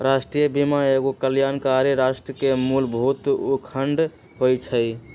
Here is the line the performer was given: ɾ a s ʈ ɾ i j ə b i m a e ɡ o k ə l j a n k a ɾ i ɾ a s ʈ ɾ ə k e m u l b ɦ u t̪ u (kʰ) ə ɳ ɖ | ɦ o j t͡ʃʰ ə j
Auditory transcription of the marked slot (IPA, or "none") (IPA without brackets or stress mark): kʰ